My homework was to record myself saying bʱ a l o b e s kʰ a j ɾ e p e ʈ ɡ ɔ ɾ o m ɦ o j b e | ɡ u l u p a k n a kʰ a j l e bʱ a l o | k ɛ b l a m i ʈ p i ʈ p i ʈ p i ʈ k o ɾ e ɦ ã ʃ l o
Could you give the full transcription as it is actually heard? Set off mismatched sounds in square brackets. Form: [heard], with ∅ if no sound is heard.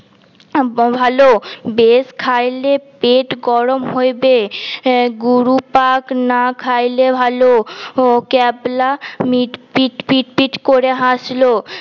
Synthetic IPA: bʱ a l o b e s kʰ a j [l] e p e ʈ ɡ ɔ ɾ o m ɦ o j b e | ɡ u [ɾ] u p a k n a kʰ a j l e bʱ a l o | k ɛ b l a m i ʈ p i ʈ p i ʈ p i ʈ k o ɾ e ɦ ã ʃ l o